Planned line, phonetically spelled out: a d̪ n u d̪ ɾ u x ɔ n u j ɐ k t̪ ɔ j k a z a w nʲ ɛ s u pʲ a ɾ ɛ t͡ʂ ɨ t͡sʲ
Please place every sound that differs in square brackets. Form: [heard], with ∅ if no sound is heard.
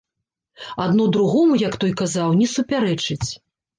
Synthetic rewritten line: a d̪ n u d̪ ɾ u [ɣ] ɔ [m] u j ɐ k t̪ ɔ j k a z a w nʲ ɛ s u pʲ a ɾ ɛ t͡ʂ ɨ t͡sʲ